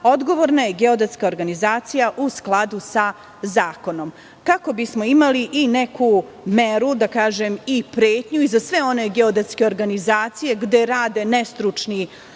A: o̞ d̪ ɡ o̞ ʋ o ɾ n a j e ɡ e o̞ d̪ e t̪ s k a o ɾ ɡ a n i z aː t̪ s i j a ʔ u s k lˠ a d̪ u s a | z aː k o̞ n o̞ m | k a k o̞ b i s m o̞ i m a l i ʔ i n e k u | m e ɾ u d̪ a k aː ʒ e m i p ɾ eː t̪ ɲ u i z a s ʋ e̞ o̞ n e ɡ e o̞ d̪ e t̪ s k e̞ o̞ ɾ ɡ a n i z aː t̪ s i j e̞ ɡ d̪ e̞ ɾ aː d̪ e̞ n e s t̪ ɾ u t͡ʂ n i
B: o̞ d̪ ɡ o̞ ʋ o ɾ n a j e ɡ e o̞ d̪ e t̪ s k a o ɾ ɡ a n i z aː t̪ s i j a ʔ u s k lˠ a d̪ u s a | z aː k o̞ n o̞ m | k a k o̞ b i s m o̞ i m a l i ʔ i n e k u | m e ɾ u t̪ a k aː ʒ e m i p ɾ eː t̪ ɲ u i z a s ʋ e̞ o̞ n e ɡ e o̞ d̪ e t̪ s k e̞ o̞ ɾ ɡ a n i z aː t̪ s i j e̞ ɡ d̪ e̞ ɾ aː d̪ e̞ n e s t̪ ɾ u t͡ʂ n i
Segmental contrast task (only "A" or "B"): A